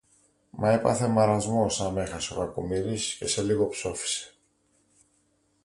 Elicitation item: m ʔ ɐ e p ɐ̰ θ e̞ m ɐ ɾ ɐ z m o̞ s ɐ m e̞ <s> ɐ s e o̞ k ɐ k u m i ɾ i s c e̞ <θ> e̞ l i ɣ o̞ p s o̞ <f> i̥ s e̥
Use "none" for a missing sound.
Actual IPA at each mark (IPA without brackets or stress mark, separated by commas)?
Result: x, s, f